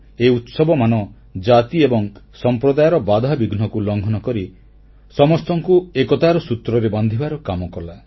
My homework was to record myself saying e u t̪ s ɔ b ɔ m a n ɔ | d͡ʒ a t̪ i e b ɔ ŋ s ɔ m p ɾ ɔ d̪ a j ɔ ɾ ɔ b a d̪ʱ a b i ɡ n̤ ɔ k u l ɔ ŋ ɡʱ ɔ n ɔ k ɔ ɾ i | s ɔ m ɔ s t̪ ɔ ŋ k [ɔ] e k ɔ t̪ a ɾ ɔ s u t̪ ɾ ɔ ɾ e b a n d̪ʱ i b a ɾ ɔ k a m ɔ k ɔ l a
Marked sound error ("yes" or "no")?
yes